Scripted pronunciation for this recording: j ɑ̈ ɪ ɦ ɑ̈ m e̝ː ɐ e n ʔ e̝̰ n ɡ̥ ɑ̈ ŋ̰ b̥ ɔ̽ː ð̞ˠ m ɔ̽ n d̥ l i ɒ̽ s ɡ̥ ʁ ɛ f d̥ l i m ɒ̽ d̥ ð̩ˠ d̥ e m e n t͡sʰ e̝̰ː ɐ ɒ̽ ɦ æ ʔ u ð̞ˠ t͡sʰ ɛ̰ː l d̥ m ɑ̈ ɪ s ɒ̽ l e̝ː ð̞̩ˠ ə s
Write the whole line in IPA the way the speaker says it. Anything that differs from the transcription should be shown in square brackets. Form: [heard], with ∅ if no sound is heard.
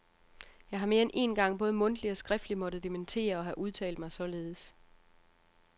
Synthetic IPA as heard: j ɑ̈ ɪ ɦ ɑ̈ m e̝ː ɐ e n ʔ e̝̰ n ɡ̥ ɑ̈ ŋ̰ b̥ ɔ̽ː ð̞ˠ m ɔ̽ n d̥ l i ɒ̽ s ɡ̥ ʁ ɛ f d̥ l i m ɒ̽ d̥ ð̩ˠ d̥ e m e n t͡sʰ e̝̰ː ɐ ɒ̽ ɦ æ ʔ u ð̞ˠ t͡sʰ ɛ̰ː l d̥ m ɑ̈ ɪ s ɒ̽ l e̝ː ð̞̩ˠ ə s